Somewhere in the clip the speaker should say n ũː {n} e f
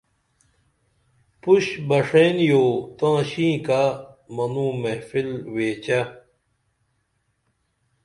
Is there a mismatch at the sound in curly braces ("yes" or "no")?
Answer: yes